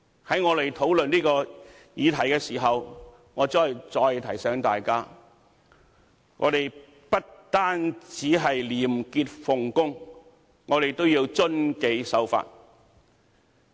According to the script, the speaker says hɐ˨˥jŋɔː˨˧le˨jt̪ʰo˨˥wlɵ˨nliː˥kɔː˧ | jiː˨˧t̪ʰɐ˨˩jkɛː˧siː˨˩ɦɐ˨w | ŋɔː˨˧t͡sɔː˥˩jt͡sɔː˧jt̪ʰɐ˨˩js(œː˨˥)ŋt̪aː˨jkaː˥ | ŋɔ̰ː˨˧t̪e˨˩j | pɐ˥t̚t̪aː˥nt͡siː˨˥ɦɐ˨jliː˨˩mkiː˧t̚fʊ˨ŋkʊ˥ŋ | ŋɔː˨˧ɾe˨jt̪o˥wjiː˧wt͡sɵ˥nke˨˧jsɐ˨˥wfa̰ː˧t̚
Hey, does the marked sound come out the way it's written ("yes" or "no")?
no